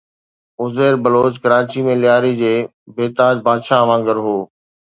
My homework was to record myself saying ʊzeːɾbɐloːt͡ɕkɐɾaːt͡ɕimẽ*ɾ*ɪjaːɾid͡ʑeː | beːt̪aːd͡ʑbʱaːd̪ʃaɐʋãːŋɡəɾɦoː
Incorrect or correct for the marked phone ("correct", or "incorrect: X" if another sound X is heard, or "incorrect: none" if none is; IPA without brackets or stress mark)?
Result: incorrect: l